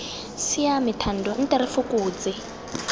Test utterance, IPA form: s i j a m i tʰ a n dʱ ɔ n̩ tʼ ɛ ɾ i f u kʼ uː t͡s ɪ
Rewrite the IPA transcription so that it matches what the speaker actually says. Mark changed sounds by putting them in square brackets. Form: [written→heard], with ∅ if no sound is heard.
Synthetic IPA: s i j a m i tʰ a n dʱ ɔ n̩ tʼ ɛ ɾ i f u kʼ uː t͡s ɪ